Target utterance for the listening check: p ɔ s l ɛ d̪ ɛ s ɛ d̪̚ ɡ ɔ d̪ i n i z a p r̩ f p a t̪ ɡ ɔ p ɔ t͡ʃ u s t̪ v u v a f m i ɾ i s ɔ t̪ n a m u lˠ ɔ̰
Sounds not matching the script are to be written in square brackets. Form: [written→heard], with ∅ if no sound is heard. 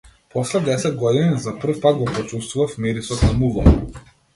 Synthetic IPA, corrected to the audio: p ɔ s l ɛ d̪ ɛ s ɛ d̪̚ ɡ ɔ d̪ i n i z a p r̩ f p a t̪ ɡ ɔ p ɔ t͡ʃ u s t̪ v u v a f m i ɾ i s ɔ t̪ n a m u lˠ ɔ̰